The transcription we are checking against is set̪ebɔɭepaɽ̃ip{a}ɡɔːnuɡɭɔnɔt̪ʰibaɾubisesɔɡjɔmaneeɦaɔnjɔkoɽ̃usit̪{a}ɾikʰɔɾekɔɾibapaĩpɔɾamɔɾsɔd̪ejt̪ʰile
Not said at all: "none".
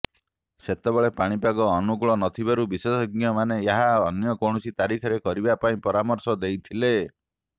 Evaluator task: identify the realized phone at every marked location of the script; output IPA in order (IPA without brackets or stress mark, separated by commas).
a, a